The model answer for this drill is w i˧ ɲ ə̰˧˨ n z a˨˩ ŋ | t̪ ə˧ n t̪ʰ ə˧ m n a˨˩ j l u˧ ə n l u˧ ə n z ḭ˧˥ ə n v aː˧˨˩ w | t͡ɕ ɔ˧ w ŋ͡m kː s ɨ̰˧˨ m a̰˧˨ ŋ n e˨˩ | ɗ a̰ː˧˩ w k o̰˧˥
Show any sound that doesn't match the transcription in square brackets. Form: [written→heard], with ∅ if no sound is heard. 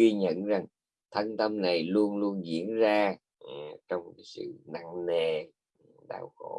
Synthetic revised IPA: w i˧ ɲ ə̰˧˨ n z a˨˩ ŋ | [t̪→t̪ʰ] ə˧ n [t̪ʰ→t̪] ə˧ m n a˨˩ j l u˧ ə n l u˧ ə n z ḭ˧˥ ə n [v→z] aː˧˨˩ [w→∅] | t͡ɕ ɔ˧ w ŋ͡m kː s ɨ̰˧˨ [m→n] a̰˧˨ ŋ n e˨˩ | ɗ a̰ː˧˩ w [k→x] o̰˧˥